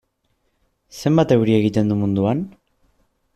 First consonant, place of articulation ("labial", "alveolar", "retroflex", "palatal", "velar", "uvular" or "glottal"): alveolar